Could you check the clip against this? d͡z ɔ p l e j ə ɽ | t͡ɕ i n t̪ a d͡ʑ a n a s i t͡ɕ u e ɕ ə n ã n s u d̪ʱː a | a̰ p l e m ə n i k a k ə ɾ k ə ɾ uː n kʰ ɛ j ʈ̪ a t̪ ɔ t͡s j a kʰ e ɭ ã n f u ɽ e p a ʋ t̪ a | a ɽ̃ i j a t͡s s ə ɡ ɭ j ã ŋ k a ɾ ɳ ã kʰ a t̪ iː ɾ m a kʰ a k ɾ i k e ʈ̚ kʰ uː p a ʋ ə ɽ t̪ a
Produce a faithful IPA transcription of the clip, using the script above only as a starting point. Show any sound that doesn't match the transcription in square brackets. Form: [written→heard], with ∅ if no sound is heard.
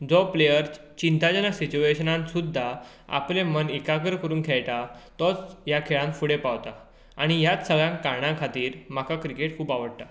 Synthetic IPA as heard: d͡z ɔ p l e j ə [ɽ→ɾ] | t͡ɕ i n t̪ a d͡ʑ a n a s i t͡ɕ u e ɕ ə n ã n s u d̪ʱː a | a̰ p l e m ə n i k a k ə ɾ k ə ɾ uː n kʰ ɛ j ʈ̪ a t̪ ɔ t͡s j a kʰ e ɭ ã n f u ɽ e p a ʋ t̪ a | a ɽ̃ i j a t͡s s ə ɡ ɭ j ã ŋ k a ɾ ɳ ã kʰ a t̪ iː ɾ m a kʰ a k ɾ i k e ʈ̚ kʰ uː p a ʋ ə ɽ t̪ a